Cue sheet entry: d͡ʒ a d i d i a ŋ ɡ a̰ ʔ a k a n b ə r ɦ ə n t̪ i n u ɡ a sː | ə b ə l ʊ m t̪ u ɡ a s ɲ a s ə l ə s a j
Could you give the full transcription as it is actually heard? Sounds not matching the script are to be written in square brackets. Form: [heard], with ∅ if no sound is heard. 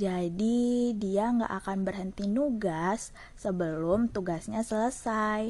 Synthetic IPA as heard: d͡ʒ a d i d i a ŋ ɡ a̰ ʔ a k a n b ə r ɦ ə n t̪ i n u ɡ a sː | ə b ə l ʊ m t̪ u ɡ a s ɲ a s ə l ə s a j